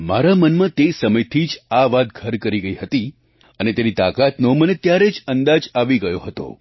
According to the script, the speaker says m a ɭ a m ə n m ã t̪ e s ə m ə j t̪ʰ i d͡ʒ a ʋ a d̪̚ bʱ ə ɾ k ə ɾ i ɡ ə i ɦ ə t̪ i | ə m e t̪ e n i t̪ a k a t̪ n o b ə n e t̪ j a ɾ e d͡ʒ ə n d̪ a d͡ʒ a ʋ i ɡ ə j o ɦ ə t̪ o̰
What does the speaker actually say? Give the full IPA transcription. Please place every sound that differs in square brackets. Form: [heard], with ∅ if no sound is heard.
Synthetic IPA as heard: m a [ɾ] a m ə n m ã t̪ e s ə m ə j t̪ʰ i d͡ʒ a ʋ a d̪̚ [ɡʱ] ə ɾ k ə ɾ i ɡ ə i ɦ ə t̪ i | ə [n] e t̪ e n i t̪ a k a t̪ n o [m] ə n e t̪ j a ɾ e d͡ʒ ə n d̪ a d͡ʒ a ʋ i ɡ ə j o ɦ ə t̪ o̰